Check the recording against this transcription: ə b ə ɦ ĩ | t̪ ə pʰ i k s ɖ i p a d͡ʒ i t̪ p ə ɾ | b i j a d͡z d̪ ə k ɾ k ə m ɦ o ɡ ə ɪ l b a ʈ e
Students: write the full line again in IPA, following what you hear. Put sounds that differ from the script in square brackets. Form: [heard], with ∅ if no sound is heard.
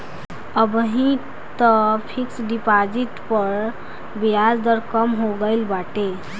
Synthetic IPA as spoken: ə b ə ɦ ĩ | t̪ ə pʰ i k s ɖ i p a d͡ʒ i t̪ p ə ɾ | b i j a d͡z d̪ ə [∅] ɾ k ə m ɦ o ɡ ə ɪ l b a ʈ e